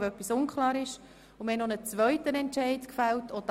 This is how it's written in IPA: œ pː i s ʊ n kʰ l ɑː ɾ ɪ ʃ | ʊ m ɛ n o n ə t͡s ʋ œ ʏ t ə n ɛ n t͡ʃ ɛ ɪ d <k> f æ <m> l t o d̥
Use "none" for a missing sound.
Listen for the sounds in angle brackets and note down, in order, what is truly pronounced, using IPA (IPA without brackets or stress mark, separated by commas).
k, none